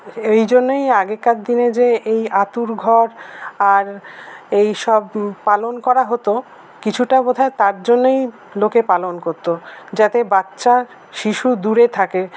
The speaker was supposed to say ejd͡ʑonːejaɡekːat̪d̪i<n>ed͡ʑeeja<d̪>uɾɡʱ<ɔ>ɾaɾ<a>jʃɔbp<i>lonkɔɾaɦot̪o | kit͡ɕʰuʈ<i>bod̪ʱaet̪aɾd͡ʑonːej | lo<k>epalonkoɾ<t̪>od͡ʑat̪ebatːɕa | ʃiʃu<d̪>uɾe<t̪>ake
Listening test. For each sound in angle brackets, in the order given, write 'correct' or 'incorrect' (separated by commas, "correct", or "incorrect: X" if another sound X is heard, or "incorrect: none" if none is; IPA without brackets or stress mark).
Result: correct, incorrect: t̪, correct, incorrect: e, incorrect: a, incorrect: a, correct, correct, correct, incorrect: t̪ʰ